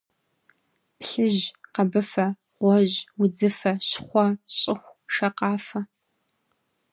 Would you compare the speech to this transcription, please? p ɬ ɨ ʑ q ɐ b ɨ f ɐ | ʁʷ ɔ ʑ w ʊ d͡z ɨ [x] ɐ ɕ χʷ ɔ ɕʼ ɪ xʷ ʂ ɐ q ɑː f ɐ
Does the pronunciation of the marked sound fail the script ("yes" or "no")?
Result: yes